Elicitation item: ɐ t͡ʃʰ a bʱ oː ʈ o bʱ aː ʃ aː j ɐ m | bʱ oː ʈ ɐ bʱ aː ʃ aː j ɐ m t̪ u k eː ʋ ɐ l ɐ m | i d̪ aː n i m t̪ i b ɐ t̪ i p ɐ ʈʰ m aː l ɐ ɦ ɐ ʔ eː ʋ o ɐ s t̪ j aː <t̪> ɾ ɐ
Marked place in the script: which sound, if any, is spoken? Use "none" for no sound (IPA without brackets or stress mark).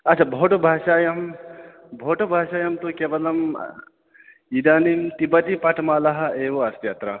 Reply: t̪